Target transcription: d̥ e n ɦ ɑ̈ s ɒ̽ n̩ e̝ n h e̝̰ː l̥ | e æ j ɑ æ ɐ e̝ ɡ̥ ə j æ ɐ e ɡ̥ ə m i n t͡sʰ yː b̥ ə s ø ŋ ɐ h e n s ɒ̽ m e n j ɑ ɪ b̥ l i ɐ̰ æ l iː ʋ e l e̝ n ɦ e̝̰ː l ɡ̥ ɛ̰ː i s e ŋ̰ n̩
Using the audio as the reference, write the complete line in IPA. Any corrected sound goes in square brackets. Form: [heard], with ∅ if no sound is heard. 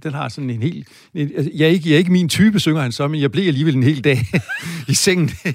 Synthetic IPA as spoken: d̥ e n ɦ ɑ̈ s ɒ̽ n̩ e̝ n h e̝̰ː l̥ | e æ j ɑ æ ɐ e̝ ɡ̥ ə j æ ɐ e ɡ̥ ə m i n t͡sʰ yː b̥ ə s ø ŋ ɐ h [æ] n s ɒ̽ m e n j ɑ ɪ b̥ l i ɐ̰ æ l iː ʋ e l e̝ n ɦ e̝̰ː l [d̥] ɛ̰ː i s e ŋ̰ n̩